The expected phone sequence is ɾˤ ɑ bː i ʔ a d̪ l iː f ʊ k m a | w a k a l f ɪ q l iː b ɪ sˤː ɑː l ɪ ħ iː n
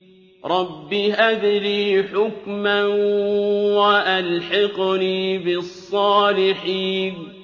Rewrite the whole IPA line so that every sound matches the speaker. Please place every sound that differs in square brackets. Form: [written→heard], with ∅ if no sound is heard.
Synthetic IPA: ɾˤ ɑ bː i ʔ a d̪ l iː [f→ħ] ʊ k m a | w a [k→ʔ] a l [f→ħ] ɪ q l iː b ɪ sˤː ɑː l ɪ ħ iː n